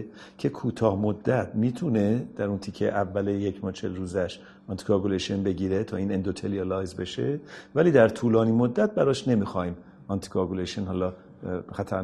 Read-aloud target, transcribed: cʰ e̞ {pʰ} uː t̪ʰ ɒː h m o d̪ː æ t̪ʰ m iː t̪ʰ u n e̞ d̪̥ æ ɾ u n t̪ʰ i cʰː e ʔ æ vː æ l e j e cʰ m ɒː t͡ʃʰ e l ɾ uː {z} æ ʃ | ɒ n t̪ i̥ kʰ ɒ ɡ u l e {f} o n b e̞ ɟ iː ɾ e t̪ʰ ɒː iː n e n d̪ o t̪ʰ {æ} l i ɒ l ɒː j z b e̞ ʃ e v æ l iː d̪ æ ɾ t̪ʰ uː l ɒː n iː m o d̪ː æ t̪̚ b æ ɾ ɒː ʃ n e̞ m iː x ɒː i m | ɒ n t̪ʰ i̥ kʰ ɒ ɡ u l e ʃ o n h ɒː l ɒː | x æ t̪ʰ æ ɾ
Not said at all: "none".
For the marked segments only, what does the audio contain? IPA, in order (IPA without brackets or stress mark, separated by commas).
kʰ, z, ʃ, e